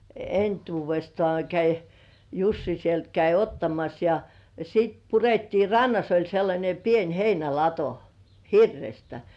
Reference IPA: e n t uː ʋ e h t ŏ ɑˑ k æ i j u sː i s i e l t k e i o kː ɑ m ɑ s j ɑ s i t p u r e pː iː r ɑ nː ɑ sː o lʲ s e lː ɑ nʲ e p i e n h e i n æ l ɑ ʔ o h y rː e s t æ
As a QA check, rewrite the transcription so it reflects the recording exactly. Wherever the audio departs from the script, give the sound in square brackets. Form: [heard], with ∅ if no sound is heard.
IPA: e n t uː ʋ e [s] t ŏ ɑˑ k æ i j u sː i s i e l t k [æ] i o [tː] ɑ m ɑ s j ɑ s i t p u r e [tː] iː r ɑ nː ɑ [s] o lʲ s e lː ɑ nʲ e p i e n h e i n æ l ɑ [t] o h [i] rː e s t æ